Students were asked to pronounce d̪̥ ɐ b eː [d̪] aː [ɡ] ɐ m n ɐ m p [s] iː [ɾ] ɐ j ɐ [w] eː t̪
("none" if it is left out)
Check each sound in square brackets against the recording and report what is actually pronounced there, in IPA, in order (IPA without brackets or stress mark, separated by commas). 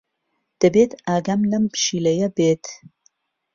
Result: t̪, ɡ, ʃ, l, b